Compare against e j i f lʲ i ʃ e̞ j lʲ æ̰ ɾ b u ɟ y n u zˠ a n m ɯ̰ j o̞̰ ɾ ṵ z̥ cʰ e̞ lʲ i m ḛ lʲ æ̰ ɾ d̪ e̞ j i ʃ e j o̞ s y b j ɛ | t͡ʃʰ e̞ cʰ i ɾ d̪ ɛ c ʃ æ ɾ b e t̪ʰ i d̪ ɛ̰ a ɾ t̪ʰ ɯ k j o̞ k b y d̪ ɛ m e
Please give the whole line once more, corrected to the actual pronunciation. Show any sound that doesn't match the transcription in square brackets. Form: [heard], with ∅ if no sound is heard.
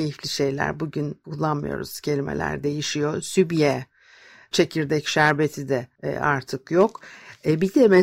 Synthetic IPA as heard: e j i f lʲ i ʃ e̞ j lʲ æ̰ ɾ b u ɟ y n u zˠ a n m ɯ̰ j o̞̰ ɾ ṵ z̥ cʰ e̞ lʲ i m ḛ lʲ æ̰ ɾ d̪ e̞ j i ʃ [i] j o̞ s y b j ɛ | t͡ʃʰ e̞ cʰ i ɾ d̪ ɛ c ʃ æ ɾ b e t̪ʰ i d̪ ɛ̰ a ɾ t̪ʰ ɯ k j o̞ k b [i] d̪ ɛ m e